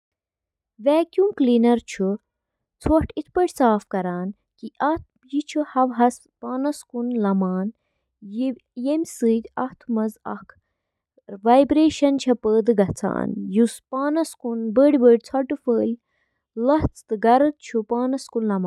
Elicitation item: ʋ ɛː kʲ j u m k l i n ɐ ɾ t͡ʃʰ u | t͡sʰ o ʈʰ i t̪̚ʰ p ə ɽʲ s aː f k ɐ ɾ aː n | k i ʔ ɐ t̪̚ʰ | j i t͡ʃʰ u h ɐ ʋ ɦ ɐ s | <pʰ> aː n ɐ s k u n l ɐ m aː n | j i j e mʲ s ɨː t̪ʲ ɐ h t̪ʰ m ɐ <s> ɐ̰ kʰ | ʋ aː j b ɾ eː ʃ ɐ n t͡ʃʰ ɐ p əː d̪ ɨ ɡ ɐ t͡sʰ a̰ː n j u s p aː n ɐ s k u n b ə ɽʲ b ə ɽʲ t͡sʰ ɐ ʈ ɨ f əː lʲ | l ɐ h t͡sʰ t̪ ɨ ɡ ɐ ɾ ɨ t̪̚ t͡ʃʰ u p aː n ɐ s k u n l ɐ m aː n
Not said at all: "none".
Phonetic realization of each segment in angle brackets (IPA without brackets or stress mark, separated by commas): p, z